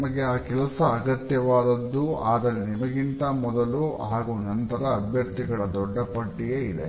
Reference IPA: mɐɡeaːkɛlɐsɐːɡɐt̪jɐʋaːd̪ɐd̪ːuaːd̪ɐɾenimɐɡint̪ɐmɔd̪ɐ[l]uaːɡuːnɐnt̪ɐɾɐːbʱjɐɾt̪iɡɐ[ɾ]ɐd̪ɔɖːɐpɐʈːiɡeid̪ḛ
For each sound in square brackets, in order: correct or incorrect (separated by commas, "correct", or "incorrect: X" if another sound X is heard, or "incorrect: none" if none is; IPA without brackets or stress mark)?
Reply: correct, incorrect: ɭ